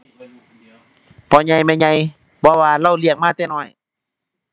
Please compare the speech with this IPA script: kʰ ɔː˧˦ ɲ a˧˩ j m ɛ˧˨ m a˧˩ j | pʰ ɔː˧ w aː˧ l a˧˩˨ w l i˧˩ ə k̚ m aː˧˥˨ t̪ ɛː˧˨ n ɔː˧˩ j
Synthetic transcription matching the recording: pʰ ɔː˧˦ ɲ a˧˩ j m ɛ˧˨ ɲ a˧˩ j | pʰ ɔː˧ w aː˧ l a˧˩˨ w l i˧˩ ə k̚ m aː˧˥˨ t̪ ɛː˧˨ n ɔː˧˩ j